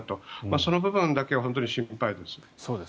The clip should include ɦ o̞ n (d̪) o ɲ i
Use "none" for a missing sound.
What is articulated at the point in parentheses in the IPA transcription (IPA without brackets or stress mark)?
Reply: t̪